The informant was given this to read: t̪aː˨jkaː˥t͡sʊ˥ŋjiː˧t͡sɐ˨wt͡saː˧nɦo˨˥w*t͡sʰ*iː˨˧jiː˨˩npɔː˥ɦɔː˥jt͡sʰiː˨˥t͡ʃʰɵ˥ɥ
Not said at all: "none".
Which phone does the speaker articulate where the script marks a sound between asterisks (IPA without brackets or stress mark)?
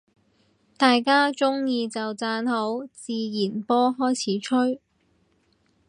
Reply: t͡s